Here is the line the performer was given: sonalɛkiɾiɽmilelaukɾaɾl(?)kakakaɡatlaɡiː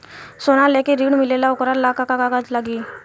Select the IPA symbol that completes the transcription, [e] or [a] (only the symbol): a